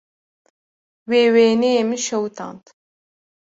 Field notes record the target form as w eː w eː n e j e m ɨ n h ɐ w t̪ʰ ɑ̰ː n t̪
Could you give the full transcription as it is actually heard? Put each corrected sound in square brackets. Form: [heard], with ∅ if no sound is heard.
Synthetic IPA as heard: w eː w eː n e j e m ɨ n [ʃ] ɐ w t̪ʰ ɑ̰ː n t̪